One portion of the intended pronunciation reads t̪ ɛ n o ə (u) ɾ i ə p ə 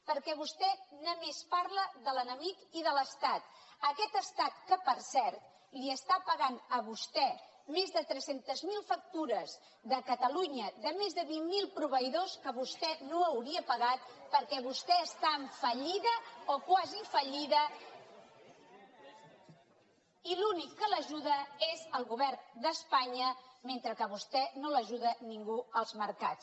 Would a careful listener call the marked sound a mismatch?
yes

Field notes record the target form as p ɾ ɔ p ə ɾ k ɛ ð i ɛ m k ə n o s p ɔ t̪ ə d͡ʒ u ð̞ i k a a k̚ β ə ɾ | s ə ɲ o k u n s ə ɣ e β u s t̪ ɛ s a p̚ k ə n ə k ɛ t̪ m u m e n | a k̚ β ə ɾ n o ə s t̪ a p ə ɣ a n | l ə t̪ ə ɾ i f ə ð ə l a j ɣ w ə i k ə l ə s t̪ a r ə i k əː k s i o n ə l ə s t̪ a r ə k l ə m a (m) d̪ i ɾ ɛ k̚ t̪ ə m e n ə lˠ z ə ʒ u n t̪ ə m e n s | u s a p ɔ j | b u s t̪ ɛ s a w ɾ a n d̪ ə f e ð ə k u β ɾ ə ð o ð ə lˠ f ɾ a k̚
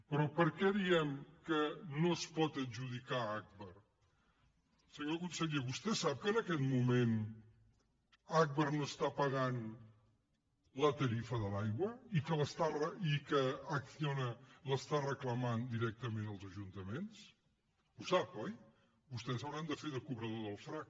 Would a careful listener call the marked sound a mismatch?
yes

